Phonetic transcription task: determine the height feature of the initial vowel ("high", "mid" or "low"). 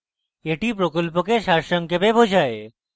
mid